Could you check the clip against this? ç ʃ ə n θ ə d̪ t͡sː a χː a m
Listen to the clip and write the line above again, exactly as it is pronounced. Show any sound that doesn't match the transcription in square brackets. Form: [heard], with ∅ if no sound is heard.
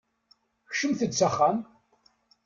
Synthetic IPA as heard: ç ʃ ə [m] θ ə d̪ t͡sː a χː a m